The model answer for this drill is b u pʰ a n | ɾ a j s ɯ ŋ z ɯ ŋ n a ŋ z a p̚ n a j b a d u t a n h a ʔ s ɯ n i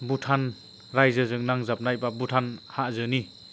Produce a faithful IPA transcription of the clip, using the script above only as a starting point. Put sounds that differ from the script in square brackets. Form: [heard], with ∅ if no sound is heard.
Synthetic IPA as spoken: b u [tʰ] a n | ɾ a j [z] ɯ [∅] z ɯ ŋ n a ŋ z a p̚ n a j b a [b] u [tʰ] a n h a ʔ [z] ɯ n i